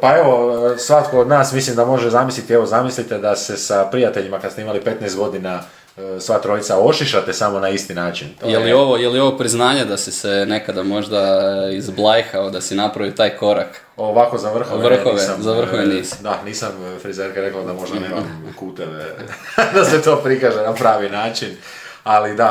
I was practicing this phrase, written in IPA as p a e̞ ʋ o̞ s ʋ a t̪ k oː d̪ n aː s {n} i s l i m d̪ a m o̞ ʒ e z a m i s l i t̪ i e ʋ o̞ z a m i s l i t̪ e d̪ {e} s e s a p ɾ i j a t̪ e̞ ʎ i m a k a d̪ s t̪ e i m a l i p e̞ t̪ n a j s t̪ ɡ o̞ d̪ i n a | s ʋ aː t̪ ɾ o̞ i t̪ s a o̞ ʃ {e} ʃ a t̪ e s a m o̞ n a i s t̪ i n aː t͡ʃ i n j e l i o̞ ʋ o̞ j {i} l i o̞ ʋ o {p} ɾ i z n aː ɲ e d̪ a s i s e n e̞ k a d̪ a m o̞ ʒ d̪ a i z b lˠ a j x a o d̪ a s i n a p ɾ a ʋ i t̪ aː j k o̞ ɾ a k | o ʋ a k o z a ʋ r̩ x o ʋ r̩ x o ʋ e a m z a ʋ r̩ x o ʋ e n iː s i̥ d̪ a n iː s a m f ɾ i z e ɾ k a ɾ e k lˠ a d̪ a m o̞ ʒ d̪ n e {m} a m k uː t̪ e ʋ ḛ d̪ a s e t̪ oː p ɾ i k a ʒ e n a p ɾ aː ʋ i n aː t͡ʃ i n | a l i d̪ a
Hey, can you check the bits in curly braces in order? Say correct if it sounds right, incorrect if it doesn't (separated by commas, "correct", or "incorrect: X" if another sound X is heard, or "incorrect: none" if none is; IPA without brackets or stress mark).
incorrect: m, incorrect: a, incorrect: i, incorrect: e, correct, correct